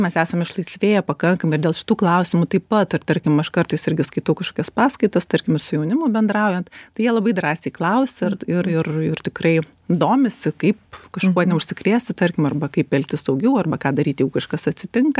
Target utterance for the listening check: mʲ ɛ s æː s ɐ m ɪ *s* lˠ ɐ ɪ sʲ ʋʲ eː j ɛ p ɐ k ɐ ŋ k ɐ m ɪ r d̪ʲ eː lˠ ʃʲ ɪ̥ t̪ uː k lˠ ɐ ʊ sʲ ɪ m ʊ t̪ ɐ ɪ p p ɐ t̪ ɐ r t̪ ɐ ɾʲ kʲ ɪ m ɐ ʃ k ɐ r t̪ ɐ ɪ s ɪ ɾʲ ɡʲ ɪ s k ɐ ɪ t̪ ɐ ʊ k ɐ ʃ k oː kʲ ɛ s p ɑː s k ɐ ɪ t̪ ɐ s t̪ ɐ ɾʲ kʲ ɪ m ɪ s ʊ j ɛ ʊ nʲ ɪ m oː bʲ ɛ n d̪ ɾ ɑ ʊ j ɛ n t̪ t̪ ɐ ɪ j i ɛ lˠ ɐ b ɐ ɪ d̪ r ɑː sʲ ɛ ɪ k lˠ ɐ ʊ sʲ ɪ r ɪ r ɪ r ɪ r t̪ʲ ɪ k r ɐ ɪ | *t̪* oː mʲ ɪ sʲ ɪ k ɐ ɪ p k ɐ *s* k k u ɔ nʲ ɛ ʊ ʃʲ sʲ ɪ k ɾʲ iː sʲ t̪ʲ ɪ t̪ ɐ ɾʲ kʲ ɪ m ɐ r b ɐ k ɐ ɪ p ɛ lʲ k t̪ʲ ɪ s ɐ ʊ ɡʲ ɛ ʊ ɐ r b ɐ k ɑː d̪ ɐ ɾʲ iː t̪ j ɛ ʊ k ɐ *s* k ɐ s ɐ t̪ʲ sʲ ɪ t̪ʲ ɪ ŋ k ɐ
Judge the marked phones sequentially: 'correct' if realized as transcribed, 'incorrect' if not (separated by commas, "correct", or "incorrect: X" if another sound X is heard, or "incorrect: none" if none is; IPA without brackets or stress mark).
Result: incorrect: ʃ, incorrect: d̪, incorrect: ʃ, incorrect: ʃ